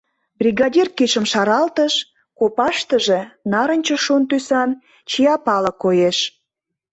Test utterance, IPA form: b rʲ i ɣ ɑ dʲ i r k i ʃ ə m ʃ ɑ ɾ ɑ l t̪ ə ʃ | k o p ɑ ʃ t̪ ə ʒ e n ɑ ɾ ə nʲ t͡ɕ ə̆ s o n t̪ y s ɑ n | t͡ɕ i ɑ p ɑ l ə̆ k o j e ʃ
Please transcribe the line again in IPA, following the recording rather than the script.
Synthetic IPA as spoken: b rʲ i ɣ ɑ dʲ i r k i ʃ ə m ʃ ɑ ɾ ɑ l t̪ ə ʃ | k o p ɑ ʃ t̪ ə ʒ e n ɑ ɾ ə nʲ t͡ɕ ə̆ ʃ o n t̪ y s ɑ n | t͡ɕ i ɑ p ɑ l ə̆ k o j e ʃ